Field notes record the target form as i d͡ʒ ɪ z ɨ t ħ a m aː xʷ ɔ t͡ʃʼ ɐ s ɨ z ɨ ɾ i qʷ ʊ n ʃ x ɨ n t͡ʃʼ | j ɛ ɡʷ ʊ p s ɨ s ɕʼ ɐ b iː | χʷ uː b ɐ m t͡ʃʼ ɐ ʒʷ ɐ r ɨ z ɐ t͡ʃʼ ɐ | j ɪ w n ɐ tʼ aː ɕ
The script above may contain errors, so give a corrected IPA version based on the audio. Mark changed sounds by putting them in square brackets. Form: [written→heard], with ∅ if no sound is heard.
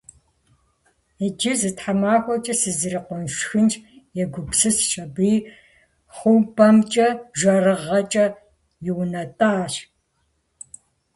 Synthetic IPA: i d͡ʒ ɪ z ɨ t ħ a m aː xʷ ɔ t͡ʃʼ ɐ s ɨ z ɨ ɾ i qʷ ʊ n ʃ x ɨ n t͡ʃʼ | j ɛ ɡʷ ʊ p s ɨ s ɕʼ ɐ b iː | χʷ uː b ɐ m t͡ʃʼ ɐ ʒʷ ɐ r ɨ [z→ʁ] ɐ t͡ʃʼ ɐ | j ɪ w n ɐ tʼ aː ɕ